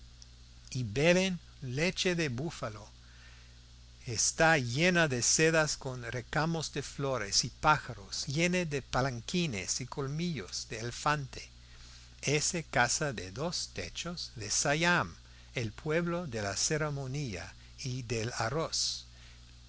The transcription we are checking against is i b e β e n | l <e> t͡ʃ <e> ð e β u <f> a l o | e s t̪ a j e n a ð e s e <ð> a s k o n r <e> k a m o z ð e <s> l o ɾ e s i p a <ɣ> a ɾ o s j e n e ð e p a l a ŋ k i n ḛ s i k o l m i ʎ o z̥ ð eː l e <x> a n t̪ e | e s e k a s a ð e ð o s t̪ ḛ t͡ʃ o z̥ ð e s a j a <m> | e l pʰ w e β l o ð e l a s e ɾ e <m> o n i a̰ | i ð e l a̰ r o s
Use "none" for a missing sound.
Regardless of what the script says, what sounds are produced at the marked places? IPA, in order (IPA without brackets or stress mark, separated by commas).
e, e, f, ð, e, f, x, f, m, m